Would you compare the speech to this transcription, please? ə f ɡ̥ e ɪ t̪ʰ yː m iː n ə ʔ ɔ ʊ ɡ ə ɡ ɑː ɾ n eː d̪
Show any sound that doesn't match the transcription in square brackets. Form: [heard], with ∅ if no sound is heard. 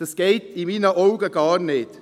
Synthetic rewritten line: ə [s] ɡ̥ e ɪ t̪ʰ [iː] m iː n ə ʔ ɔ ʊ ɡ ə ɡ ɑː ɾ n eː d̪